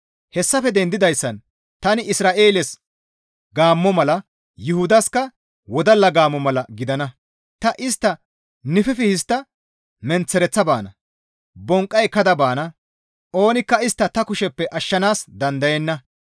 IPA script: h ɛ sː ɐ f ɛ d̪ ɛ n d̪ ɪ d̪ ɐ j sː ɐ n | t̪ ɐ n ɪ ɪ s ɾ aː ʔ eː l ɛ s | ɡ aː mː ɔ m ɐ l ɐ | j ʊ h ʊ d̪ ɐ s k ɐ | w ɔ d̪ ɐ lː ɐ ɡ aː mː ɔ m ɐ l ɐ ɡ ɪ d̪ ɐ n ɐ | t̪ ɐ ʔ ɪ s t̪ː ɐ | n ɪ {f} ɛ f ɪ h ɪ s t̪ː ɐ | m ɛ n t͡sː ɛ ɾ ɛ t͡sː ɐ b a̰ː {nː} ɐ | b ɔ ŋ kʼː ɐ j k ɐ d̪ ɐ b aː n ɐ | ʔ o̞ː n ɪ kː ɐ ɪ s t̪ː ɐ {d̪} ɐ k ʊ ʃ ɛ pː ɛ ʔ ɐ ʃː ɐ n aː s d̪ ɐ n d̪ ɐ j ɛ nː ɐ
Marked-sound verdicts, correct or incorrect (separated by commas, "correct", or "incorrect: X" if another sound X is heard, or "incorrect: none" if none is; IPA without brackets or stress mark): correct, incorrect: n, incorrect: t̪